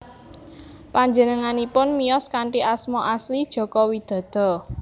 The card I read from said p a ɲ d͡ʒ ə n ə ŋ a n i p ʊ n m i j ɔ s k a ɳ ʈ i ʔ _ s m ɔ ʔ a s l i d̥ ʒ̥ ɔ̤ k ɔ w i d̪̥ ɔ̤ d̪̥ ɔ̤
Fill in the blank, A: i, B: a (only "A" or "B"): B